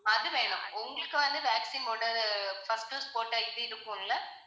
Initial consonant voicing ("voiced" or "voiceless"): voiced